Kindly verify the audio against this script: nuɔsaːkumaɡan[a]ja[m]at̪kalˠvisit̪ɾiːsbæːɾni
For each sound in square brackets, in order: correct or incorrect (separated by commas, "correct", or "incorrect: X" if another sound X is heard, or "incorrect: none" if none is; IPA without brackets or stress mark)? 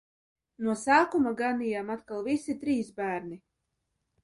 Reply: incorrect: i, correct